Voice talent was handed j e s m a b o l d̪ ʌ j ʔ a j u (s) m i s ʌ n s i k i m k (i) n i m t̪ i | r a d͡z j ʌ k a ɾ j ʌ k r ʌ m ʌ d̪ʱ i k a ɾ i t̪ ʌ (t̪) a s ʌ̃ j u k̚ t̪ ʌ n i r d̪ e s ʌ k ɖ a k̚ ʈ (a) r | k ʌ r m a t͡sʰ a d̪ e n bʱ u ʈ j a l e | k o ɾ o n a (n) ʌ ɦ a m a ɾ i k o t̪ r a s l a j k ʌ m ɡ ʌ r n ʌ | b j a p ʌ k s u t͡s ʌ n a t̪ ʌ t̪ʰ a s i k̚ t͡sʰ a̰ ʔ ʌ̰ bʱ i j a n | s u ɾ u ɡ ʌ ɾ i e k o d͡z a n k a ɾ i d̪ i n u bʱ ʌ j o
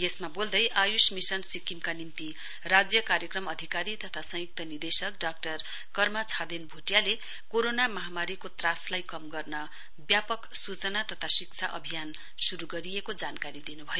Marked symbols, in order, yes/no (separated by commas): yes, no, no, no, no